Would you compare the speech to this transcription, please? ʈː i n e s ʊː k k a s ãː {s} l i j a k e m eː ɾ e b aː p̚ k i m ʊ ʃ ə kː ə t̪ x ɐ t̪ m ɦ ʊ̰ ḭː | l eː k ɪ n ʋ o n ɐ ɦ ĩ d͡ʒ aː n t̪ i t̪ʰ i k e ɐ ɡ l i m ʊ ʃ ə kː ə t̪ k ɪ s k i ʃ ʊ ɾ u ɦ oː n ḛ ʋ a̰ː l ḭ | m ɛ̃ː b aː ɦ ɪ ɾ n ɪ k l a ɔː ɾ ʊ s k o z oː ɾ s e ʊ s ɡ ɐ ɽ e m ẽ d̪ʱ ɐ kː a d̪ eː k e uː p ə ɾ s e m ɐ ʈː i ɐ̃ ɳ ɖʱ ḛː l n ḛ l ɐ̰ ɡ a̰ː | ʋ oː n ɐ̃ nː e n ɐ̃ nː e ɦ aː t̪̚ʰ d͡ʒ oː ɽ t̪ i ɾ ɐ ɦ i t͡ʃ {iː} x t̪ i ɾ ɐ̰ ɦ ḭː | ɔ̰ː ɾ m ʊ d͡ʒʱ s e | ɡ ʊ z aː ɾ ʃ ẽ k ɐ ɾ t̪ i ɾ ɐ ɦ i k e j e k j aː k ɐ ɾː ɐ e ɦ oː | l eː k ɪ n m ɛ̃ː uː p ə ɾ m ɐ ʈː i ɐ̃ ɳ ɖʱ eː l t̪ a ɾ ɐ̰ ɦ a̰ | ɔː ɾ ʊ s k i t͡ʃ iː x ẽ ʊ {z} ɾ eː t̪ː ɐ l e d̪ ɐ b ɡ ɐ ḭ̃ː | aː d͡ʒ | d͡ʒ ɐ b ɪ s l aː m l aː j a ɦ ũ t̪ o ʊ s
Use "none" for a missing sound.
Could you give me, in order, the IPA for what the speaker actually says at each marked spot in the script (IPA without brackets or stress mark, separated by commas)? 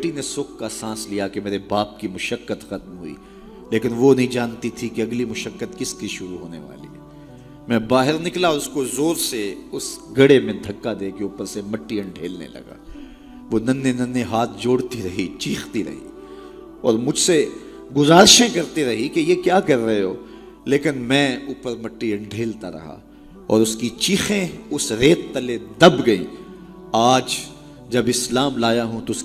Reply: s, iː, s